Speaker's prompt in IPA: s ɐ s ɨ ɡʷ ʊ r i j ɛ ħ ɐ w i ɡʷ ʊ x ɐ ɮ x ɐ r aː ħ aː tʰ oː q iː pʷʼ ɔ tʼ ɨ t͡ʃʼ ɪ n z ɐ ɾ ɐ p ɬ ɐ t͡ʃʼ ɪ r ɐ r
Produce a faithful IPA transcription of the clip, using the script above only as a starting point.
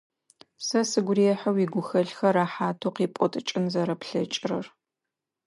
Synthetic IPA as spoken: s ɐ s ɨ ɡʷ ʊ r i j ɛ ħ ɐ w i ɡʷ ʊ x ɐ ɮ x ɐ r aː ħ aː tʰ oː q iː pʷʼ ɔ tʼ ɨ t͡ʃʼ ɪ n z ɐ ɾ ɐ p ɬ ɐ t͡ʃʼ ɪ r ɐ r